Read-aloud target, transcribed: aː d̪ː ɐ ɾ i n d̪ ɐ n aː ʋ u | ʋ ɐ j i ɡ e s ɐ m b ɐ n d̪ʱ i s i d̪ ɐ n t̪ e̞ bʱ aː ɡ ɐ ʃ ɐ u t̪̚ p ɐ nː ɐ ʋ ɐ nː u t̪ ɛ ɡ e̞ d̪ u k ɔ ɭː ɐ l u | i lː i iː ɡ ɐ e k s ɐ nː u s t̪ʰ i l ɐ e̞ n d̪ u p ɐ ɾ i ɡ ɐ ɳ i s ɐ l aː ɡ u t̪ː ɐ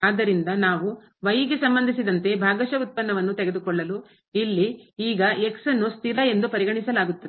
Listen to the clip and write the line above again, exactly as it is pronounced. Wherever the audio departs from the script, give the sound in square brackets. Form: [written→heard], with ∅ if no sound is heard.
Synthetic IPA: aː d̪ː ɐ ɾ i n d̪ ɐ n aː ʋ u | ʋ ɐ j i ɡ e s ɐ m b ɐ n d̪ʱ i s i d̪ ɐ n t̪ e̞ bʱ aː ɡ ɐ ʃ ɐ u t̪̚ p ɐ nː ɐ ʋ ɐ nː u t̪ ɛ ɡ e̞ d̪ u k ɔ ɭː ɐ l u | i lː i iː ɡ ɐ e k s ɐ nː u s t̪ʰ i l ɐ e̞ n d̪ u p ɐ ɾ i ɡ ɐ ɳ i s ɐ l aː ɡ u t̪ː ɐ